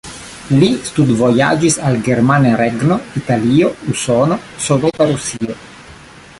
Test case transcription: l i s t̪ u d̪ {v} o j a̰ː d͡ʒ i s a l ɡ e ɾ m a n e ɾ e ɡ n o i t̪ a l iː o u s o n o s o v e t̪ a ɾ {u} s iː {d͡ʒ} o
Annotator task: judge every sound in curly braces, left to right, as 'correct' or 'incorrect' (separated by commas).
correct, correct, incorrect